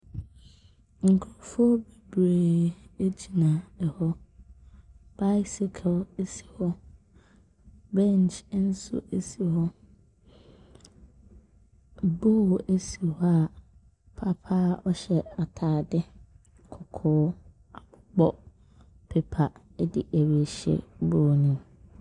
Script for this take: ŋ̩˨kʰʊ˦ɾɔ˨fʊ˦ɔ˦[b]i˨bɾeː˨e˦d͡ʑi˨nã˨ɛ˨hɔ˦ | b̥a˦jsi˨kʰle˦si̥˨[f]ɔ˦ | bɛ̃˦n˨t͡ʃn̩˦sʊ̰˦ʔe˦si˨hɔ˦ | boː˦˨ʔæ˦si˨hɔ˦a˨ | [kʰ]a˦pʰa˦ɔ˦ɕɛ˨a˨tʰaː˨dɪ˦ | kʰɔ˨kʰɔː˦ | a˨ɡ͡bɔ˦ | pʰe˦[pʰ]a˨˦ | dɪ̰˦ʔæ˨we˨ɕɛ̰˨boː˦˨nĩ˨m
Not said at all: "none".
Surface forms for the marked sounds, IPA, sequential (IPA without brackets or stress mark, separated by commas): b, h, pʰ, pʰ